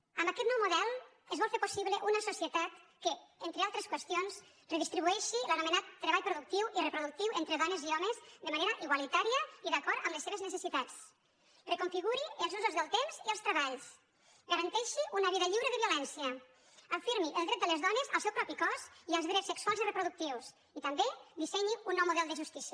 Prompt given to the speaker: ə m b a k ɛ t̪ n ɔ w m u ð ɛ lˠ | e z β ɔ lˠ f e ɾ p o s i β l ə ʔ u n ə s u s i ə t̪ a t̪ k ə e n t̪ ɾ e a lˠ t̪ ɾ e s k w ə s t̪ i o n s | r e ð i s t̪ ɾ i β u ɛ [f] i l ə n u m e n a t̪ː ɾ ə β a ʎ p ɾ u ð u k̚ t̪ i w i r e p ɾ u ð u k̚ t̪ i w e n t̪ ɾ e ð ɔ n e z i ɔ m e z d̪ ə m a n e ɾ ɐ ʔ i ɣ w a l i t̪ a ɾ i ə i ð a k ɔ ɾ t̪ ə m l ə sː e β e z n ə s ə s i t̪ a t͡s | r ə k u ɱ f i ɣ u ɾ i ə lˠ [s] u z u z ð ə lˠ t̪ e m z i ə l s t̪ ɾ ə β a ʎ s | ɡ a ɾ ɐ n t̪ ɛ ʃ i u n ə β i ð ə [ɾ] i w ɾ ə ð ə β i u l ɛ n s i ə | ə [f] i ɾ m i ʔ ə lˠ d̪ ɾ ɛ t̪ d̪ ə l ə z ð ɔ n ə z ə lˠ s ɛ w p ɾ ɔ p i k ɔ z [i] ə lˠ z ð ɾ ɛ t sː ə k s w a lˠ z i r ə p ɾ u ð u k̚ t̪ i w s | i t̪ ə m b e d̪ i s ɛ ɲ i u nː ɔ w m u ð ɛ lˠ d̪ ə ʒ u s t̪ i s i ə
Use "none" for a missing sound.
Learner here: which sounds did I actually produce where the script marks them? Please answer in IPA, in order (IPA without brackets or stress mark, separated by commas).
ʃ, z, ʎ, f, i